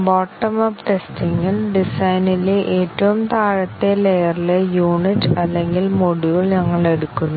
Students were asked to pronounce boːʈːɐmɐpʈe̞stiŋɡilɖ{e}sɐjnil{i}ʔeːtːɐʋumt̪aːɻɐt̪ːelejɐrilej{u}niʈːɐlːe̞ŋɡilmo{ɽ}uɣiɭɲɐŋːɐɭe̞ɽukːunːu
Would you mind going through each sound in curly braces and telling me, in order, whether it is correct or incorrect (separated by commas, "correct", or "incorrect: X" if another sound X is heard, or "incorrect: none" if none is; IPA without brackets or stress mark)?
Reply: incorrect: i, incorrect: e, incorrect: uː, correct